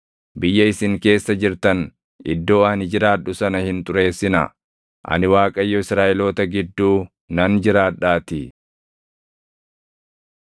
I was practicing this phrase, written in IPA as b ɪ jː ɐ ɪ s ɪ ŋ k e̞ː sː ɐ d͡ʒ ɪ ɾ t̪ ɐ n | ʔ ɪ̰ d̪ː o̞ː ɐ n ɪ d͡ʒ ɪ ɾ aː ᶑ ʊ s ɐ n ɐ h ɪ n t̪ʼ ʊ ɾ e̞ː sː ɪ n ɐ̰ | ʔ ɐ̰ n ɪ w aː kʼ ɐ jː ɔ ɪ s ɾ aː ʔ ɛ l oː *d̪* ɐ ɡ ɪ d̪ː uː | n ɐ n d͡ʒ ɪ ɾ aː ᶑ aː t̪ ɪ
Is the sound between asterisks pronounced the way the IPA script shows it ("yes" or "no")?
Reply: no